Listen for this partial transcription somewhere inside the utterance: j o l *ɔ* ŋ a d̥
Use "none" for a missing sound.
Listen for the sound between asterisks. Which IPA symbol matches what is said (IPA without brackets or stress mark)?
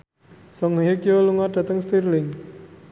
u